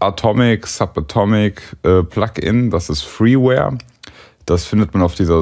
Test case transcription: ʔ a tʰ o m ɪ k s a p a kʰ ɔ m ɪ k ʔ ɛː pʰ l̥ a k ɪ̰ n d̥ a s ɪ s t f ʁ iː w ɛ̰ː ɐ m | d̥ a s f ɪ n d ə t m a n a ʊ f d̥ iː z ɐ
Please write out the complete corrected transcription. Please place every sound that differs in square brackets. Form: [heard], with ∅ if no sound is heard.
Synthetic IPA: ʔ a tʰ [ɔ] m ɪ k s a p a [tʰ] ɔ m ɪ k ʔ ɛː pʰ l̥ a k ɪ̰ n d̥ a s ɪ s t f ʁ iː w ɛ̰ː ɐ [∅] | d̥ a s f ɪ n d ə t m a n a ʊ f d̥ iː z ɐ